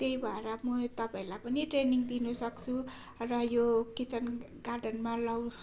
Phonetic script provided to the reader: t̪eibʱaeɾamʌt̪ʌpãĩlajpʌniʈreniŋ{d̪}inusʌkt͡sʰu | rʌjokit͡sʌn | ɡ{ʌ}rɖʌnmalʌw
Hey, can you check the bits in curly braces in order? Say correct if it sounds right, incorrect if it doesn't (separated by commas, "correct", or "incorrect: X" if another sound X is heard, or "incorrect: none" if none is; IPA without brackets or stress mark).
correct, incorrect: a